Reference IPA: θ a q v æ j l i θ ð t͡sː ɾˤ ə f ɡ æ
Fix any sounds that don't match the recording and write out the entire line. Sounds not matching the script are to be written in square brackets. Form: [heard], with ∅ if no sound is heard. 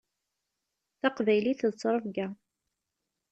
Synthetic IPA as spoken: θ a q v æ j l i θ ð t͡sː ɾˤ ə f ɡ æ